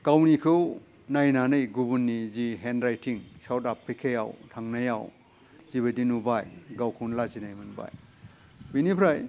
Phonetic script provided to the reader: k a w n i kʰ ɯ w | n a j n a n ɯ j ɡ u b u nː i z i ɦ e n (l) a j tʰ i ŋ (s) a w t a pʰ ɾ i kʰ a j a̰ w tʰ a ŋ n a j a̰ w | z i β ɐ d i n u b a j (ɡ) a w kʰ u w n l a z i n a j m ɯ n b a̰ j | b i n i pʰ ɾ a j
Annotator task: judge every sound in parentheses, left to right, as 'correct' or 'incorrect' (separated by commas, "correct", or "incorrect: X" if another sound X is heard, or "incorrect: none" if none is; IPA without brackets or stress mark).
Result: incorrect: ɾ, correct, correct